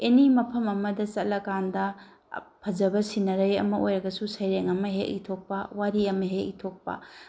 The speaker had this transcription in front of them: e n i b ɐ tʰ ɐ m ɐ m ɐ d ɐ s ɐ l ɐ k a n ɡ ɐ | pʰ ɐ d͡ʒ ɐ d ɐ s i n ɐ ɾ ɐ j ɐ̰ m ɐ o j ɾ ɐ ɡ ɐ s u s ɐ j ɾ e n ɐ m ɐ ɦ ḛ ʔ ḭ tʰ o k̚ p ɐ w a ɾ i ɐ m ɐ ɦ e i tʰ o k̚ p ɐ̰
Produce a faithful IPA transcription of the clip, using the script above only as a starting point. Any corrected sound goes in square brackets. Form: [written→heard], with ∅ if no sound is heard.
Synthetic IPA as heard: e n i [b→m] ɐ [tʰ→pʰ] ɐ m ɐ m ɐ d ɐ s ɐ l ɐ k a n [ɡ→d] ɐ | pʰ ɐ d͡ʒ ɐ [d→b] ɐ s i n ɐ ɾ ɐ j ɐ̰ m ɐ o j ɾ ɐ ɡ ɐ s u s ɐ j ɾ e [n→ŋ] ɐ m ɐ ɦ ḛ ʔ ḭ tʰ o k̚ p ɐ w a ɾ i ɐ m ɐ ɦ e i tʰ o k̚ p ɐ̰